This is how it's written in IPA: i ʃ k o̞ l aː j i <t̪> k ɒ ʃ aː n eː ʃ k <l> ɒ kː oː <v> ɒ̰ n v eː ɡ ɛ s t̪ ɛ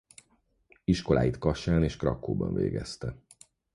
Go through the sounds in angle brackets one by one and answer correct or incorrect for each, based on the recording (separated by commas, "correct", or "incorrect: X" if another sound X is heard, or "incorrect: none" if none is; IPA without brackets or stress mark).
correct, incorrect: r, incorrect: b